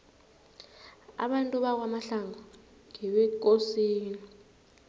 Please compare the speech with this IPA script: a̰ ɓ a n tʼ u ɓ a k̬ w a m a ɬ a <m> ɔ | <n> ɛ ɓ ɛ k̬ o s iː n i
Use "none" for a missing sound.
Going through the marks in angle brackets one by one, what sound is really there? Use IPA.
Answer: ŋ, ŋ

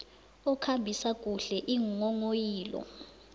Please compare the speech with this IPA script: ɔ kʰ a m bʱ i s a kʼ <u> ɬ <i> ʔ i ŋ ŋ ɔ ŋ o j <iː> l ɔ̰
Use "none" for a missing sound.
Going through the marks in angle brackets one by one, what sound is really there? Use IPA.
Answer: u, ɛ, iː

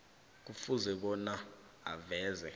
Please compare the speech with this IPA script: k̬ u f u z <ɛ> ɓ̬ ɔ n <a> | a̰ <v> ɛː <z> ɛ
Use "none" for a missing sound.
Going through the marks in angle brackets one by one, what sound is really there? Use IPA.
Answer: ɛ, a, v, z

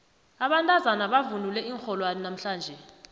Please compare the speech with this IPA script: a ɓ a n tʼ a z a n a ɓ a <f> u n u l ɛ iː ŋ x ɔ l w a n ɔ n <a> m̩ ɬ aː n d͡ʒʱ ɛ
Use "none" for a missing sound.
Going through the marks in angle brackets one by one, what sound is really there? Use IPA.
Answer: v, a

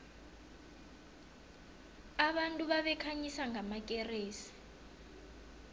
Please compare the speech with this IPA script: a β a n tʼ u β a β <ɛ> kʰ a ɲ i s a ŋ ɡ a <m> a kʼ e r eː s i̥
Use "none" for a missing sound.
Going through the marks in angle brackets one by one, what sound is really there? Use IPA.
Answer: ɛ, m

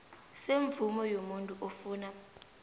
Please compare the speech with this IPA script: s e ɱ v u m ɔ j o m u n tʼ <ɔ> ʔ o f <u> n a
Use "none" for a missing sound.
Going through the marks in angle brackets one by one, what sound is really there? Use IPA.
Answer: u, uː

